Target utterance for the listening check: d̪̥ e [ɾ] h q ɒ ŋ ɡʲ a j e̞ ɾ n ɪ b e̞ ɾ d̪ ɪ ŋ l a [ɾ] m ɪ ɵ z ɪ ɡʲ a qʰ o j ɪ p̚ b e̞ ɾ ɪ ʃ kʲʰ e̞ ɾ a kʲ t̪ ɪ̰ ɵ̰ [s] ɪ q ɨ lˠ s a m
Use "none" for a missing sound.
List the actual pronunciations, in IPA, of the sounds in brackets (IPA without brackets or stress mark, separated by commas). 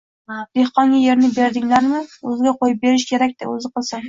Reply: none, ɾ, z